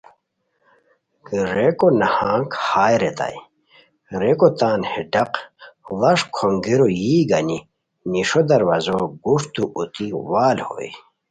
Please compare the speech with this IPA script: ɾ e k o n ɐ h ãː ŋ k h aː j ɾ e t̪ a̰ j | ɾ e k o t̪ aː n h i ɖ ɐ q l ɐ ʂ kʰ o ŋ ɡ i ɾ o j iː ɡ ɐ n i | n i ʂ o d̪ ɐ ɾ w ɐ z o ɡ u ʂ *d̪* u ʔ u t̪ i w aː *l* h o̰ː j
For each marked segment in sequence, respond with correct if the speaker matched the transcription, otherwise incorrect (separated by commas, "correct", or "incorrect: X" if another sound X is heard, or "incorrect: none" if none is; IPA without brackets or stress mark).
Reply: incorrect: t̪, correct